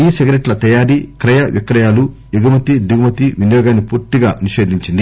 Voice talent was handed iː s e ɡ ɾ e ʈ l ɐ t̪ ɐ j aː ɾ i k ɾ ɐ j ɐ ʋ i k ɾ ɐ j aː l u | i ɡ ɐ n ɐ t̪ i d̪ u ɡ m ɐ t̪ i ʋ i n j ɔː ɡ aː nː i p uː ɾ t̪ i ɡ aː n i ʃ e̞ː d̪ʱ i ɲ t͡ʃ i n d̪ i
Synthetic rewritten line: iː s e ɡ ɾ e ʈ l ɐ t̪ ɐ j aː ɾ i k ɾ ɐ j ɐ ʋ i k ɾ ɐ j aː l u | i ɡ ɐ m ɐ t̪ i d̪ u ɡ m ɐ t̪ i ʋ i n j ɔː ɡ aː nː i p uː ɾ t̪ i ɡ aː n i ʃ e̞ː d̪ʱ i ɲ t͡ʃ i n d̪ i